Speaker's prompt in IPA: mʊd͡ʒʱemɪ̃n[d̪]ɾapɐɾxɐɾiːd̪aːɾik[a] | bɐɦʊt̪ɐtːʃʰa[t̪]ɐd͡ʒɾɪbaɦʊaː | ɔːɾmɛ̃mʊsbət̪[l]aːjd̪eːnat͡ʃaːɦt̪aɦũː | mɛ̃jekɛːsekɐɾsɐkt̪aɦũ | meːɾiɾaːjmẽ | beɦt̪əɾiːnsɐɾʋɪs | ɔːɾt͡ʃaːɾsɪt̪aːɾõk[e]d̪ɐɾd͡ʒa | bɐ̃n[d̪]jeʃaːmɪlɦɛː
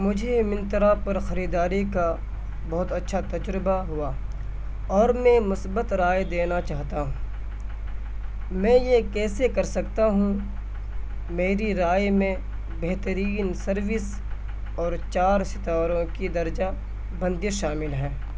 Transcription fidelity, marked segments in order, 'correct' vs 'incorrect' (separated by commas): incorrect, correct, correct, incorrect, incorrect, correct